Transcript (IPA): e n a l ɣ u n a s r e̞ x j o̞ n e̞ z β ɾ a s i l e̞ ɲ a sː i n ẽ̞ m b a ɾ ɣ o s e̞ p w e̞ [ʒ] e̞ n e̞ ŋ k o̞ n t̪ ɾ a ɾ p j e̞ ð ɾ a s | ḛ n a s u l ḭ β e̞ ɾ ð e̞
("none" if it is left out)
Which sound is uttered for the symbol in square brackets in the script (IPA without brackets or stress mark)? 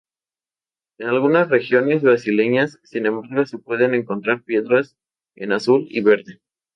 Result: ð